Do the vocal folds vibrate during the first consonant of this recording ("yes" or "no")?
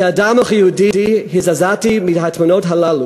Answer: yes